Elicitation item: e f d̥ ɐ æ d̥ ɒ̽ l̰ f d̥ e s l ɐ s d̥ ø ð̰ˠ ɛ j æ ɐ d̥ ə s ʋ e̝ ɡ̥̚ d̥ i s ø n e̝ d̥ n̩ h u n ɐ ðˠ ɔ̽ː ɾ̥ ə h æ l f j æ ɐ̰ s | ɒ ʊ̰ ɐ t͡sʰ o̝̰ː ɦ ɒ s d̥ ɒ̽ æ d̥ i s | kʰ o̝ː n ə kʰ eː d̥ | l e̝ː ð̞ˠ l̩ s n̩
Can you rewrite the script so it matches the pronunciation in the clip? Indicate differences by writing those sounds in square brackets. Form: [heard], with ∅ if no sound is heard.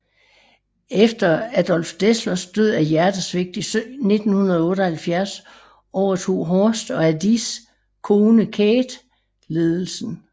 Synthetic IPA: e f d̥ ɐ æ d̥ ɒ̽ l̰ f d̥ e s l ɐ s d̥ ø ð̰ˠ [æ] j æ ɐ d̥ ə s ʋ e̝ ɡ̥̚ d̥ i s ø n e̝ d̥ n̩ h u n ɐ ðˠ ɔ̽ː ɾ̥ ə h æ l f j æ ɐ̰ s | ɒ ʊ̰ ɐ t͡sʰ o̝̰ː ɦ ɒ s d̥ ɒ̽ æ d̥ i s | kʰ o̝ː n ə kʰ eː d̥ | l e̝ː ð̞ˠ l̩ s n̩